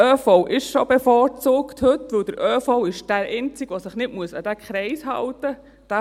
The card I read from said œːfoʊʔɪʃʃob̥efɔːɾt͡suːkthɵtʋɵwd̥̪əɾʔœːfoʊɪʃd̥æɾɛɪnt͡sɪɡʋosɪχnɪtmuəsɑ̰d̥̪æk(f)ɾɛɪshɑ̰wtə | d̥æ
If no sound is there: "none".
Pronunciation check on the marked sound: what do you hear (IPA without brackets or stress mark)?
χ